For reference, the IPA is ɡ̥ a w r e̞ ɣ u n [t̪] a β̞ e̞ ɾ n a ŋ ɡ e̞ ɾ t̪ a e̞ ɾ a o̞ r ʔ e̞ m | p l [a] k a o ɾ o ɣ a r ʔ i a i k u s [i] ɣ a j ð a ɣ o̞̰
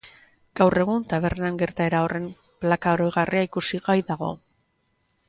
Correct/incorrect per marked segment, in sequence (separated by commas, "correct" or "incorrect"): correct, correct, correct